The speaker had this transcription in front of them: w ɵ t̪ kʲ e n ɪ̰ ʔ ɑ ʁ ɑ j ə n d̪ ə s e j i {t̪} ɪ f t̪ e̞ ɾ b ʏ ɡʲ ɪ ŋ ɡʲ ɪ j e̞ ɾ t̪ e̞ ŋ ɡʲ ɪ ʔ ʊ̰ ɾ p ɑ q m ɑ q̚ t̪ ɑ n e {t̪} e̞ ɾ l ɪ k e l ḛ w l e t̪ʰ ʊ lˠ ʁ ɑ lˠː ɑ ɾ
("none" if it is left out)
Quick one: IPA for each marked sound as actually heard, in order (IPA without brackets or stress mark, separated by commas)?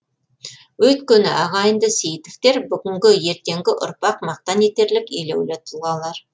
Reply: t̪, t̪